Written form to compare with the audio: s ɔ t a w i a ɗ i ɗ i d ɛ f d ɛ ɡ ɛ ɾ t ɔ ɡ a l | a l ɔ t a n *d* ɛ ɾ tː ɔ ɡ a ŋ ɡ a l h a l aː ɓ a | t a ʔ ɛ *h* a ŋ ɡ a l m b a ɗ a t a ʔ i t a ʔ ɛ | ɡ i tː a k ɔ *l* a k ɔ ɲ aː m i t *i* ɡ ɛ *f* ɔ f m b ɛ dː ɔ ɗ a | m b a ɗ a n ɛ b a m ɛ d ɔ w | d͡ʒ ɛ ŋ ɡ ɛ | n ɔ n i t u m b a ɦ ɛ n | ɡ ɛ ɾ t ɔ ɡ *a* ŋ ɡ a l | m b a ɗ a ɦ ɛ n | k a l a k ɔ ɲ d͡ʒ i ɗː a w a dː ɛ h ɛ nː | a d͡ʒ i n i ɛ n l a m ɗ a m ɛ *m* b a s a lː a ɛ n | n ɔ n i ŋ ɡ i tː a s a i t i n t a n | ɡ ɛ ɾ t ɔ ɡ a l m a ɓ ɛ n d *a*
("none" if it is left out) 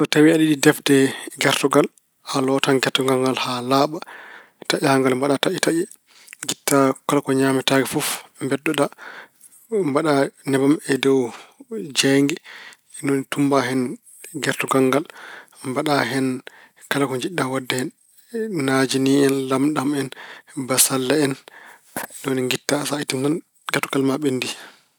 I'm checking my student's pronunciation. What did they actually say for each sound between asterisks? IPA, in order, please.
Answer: ɡ, h, l, a, f, a, n, i

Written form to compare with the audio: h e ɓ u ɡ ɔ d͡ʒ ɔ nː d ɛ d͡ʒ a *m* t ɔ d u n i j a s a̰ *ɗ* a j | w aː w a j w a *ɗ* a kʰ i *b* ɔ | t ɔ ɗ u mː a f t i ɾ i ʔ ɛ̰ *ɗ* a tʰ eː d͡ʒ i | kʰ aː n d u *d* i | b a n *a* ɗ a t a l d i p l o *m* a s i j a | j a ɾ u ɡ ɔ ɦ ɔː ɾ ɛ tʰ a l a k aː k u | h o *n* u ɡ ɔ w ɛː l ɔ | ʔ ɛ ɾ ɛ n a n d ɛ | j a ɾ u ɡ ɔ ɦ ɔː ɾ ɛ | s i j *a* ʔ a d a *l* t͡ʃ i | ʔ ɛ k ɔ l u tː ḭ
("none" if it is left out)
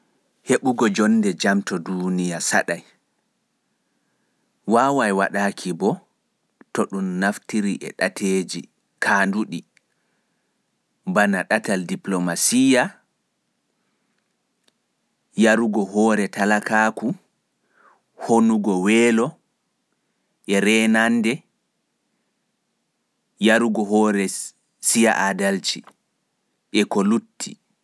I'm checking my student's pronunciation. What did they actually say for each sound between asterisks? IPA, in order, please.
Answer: m, ɗ, ɗ, b, ɗ, ɗ, a, m, n, a, l

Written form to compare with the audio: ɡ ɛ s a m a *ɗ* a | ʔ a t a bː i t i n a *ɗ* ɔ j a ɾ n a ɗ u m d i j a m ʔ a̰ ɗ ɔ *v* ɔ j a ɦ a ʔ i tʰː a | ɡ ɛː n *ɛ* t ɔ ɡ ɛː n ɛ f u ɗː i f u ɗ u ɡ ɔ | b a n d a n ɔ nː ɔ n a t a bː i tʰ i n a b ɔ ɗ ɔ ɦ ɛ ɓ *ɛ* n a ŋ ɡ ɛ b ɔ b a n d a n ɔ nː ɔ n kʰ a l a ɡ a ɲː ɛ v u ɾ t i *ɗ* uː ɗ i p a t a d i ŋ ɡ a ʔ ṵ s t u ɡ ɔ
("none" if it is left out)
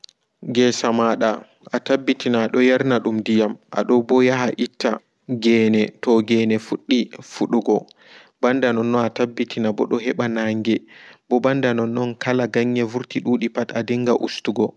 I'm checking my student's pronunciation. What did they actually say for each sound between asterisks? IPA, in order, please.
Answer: ɗ, ɗ, b, ɛ, a, ɗ

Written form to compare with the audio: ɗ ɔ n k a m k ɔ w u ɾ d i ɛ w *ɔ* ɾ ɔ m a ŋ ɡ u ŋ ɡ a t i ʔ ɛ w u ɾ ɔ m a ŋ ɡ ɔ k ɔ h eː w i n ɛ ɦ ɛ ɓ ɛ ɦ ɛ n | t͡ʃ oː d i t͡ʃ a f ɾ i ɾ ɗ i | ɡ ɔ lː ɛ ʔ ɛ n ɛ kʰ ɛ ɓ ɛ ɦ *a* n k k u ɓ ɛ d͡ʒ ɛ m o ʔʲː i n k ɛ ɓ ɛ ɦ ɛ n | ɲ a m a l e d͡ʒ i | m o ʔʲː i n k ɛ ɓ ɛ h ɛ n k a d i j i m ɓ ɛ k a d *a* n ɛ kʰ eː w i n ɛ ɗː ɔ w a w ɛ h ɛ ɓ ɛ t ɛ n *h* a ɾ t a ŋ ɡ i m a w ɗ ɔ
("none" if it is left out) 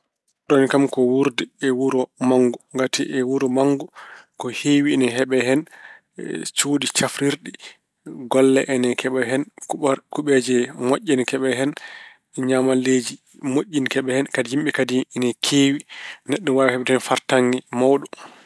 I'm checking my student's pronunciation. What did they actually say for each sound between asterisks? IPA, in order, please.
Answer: u, ɛ, i, f

